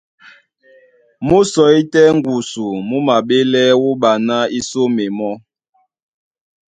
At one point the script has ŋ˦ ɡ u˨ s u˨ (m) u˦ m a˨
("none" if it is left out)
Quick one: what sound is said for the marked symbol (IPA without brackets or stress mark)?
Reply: m